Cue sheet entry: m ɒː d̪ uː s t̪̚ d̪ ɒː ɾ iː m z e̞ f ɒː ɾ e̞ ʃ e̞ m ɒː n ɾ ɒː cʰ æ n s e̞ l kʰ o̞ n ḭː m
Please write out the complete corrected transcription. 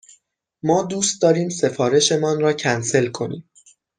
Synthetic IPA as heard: m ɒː d̪ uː s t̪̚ d̪ ɒː ɾ iː m s e̞ f ɒː ɾ e̞ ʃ e̞ m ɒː n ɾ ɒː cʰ æ n s e̞ l kʰ o̞ n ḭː m

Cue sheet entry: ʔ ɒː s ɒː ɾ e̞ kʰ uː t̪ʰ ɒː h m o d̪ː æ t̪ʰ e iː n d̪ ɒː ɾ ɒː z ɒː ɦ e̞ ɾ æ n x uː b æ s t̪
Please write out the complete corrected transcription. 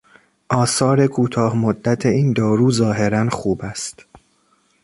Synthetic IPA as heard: ʔ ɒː s ɒː ɾ e̞ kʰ uː t̪ʰ ɒː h m o d̪ː æ t̪ʰ e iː n d̪ ɒː ɾ uː z ɒː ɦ e̞ ɾ æ n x uː b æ s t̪

